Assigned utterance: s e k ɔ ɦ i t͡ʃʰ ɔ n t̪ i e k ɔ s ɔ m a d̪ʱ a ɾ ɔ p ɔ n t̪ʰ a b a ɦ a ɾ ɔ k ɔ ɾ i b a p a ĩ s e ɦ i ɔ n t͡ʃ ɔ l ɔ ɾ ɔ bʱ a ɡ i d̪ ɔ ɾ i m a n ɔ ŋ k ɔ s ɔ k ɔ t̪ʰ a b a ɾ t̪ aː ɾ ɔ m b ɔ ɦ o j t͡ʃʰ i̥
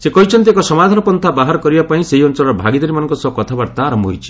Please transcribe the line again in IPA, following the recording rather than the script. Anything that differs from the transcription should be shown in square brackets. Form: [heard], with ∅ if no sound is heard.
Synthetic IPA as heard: s e k ɔ ɦ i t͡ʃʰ ɔ n t̪ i e k ɔ s ɔ m a d̪ʱ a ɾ ɔ p ɔ n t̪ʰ a b a ɦ a ɾ ɔ k ɔ ɾ i b a p a ĩ s e ɦ i ɔ n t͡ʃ ɔ l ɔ ɾ ɔ bʱ a ɡ i d̪ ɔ ɾ i m a n ɔ ŋ k ɔ s ɔ k ɔ t̪ʰ a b a ɾ t̪ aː ɾ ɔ m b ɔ ɦ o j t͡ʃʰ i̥